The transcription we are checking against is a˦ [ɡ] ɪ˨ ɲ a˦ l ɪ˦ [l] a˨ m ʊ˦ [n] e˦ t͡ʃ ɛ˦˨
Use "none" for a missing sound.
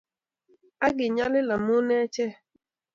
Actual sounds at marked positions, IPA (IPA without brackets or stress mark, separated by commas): ɡ, l, n